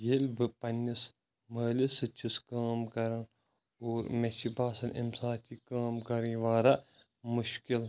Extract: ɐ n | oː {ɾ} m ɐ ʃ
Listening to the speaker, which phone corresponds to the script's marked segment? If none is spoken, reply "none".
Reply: ɾ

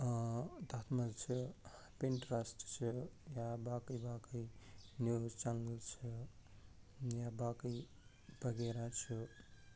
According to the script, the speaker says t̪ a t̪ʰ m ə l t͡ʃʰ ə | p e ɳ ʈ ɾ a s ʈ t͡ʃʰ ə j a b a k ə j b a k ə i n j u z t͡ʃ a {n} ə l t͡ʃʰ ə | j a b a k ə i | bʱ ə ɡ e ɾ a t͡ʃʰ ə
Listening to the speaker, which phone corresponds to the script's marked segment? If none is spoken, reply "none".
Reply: n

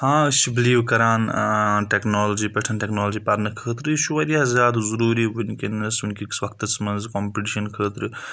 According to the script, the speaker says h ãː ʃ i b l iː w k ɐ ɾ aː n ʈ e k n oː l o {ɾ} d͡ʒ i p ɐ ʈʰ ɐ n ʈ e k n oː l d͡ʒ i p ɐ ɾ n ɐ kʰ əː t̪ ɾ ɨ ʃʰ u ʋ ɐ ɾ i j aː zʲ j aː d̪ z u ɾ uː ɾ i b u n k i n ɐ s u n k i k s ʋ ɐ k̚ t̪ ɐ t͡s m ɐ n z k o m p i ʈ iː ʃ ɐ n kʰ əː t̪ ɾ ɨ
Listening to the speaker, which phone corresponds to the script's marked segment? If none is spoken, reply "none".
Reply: none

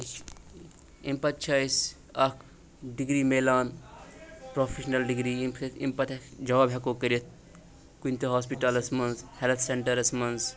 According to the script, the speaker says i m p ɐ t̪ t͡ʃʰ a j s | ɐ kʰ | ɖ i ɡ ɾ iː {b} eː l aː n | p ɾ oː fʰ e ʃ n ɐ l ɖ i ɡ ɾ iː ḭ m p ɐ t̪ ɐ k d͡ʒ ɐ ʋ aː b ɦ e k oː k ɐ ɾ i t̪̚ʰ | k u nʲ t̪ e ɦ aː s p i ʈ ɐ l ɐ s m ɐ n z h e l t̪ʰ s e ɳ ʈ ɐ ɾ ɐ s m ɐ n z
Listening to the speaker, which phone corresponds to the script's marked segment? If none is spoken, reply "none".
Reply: m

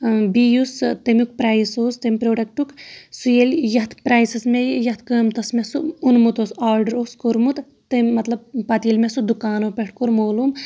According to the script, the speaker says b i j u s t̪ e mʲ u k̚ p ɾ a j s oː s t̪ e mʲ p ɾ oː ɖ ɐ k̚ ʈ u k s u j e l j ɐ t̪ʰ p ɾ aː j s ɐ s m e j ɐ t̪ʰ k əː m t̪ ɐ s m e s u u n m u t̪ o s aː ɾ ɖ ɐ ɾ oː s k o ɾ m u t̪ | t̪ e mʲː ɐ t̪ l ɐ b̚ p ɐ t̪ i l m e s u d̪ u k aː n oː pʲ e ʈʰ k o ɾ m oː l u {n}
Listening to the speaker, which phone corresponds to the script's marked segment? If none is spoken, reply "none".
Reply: m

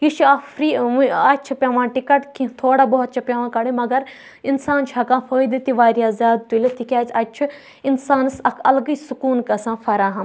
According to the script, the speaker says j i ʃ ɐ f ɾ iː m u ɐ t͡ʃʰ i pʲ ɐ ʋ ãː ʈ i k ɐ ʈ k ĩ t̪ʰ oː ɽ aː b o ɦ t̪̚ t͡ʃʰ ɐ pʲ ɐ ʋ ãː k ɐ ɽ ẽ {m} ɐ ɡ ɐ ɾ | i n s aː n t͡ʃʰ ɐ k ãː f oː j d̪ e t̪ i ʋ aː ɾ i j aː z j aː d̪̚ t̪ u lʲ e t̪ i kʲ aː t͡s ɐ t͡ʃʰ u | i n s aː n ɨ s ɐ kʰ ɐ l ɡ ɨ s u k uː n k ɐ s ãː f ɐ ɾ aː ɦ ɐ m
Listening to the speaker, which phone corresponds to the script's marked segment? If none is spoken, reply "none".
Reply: m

